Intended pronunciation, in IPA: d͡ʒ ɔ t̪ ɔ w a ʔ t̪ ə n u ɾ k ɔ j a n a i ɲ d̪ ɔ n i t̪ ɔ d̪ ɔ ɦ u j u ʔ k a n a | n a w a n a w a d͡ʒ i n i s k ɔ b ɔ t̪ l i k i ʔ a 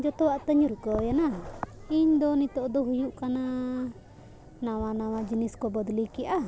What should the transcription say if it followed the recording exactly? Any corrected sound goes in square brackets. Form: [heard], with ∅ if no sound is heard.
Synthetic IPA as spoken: d͡ʒ ɔ t̪ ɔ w a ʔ t̪ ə [ɲ] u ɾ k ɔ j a n a i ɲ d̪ ɔ n i t̪ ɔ d̪ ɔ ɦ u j u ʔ k a n a | n a w a n a w a d͡ʒ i n i s k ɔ b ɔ [d̪] l i k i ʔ a

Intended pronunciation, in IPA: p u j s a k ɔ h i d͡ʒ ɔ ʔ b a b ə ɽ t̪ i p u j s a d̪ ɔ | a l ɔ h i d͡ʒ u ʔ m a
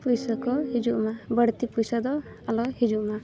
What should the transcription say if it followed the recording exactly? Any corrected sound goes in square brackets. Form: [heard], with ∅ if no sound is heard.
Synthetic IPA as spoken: p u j s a k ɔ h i d͡ʒ [u] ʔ [m] a b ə ɽ t̪ i p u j s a d̪ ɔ | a l ɔ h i d͡ʒ u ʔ m a

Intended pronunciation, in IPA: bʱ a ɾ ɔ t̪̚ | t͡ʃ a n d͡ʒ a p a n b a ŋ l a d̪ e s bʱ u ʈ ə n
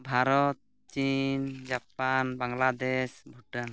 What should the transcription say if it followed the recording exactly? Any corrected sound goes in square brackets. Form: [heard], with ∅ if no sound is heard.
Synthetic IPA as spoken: bʱ a ɾ ɔ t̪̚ | t͡ʃ [i] n d͡ʒ a p a n b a ŋ l a d̪ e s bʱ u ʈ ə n

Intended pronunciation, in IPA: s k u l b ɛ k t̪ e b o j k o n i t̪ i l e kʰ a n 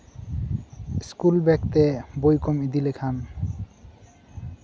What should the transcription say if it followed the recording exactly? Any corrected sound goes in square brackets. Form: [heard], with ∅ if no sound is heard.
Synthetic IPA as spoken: s k u l b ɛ k t̪ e b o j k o [m] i [d̪] i l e kʰ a n

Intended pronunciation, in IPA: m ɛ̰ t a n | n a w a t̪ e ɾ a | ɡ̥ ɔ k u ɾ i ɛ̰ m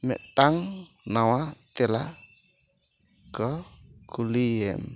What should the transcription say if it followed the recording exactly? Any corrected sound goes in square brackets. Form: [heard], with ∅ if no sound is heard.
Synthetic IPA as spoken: m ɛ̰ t a [ŋ] | n a w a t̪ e [l] a | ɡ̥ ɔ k u [l] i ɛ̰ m

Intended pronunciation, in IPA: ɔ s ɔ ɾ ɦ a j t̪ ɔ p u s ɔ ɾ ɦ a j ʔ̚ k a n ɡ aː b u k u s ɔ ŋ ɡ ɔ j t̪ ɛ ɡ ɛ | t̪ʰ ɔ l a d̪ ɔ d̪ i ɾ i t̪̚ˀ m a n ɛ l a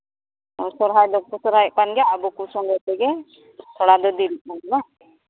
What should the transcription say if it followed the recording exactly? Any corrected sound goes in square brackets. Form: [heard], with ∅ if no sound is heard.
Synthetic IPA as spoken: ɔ s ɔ ɾ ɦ a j [d̪] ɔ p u s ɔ ɾ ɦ a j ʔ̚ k a n ɡ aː b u k u s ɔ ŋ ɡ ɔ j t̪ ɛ ɡ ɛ | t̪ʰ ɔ [ɽ] a d̪ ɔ d̪ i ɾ i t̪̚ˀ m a n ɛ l a

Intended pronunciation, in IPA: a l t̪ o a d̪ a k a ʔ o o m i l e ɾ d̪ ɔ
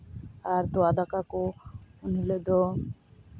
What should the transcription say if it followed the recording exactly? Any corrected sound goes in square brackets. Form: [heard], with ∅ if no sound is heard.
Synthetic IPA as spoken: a [ɾ] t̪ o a d̪ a k a [k] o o [n] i l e [∅] d̪ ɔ

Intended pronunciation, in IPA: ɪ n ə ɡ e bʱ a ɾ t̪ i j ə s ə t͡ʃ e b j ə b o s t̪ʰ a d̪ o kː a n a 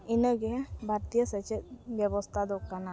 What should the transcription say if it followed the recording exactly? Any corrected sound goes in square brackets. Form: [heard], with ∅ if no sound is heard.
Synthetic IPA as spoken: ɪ n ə ɡ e bʱ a ɾ t̪ i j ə s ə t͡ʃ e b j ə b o s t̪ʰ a d̪ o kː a n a

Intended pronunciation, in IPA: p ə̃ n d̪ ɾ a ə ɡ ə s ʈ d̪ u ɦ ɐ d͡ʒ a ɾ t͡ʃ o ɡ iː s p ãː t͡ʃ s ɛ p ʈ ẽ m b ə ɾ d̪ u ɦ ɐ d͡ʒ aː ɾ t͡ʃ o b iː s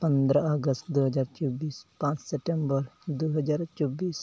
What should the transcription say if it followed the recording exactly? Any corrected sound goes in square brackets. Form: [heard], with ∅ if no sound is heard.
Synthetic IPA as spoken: p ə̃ n d̪ ɾ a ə ɡ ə s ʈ d̪ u ɦ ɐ d͡ʒ a ɾ t͡ʃ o [b] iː s p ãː t͡ʃ s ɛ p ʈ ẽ m b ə ɾ d̪ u ɦ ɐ d͡ʒ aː ɾ t͡ʃ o b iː s

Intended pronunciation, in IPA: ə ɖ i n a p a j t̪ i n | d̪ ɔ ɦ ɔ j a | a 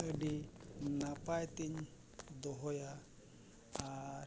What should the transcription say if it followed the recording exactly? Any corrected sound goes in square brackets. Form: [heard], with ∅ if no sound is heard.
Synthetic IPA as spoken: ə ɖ i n a p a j t̪ i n | d̪ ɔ ɦ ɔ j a | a

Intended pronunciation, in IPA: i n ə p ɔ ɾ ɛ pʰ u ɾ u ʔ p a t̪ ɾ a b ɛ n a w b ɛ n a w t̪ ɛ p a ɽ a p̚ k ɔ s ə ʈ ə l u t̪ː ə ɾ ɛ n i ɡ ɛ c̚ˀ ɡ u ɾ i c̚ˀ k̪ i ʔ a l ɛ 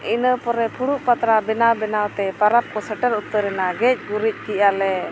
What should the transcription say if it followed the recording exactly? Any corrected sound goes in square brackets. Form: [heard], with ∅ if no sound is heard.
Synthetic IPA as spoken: i n ə p ɔ ɾ ɛ pʰ u [ɽ] u ʔ p a t̪ ɾ a b ɛ n a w b ɛ n a w t̪ ɛ p a [ɾ] a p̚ k ɔ s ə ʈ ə [ɾ] u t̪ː ə ɾ ɛ n [a] ɡ ɛ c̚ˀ ɡ u ɾ i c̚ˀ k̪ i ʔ a l ɛ

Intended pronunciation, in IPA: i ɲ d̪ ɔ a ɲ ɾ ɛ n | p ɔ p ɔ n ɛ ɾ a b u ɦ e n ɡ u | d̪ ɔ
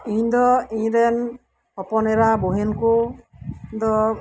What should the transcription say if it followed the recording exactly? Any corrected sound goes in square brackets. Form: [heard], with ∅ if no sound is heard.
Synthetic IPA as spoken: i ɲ d̪ ɔ [i] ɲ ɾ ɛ n | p ɔ p ɔ n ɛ ɾ a b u ɦ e n [k] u | d̪ ɔ

